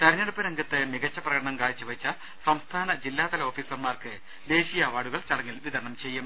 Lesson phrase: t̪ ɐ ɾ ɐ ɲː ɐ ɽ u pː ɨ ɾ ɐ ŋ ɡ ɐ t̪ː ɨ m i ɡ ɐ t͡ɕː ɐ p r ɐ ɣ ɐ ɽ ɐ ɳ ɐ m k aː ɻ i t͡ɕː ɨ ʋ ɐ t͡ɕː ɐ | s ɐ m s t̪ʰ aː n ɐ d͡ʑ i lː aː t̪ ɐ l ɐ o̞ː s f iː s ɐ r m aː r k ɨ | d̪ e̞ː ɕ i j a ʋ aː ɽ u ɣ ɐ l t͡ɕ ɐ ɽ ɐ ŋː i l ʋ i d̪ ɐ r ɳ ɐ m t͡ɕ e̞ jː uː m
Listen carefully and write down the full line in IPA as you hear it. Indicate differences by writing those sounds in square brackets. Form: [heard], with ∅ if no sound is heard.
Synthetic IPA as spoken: t̪ ɐ ɾ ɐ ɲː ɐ ɽ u pː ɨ ɾ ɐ ŋ ɡ ɐ t̪ː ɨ m i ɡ ɐ t͡ɕː ɐ p r ɐ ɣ ɐ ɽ ɐ ɳ ɐ m k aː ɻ i t͡ɕː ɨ ʋ ɐ t͡ɕː ɐ | s ɐ m s t̪ʰ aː n ɐ d͡ʑ i lː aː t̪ ɐ l ɐ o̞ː [∅] f iː s ɐ r m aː r k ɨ | d̪ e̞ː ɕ i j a ʋ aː ɽ u ɣ ɐ [ɭ] t͡ɕ ɐ ɽ ɐ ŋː i l ʋ i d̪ ɐ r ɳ ɐ m t͡ɕ e̞ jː [u] m